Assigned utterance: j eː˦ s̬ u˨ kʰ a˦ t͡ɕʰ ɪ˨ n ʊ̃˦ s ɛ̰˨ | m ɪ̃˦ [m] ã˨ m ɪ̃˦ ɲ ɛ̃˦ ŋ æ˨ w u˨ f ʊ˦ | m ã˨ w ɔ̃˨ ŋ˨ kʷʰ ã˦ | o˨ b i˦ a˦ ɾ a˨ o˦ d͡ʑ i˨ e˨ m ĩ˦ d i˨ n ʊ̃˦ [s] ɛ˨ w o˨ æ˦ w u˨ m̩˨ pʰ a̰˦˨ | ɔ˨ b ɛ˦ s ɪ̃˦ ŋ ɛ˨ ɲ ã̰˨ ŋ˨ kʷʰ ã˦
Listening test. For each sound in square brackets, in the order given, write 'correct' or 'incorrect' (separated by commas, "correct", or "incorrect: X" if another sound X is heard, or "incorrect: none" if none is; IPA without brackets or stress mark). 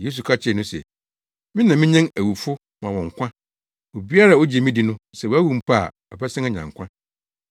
incorrect: n, correct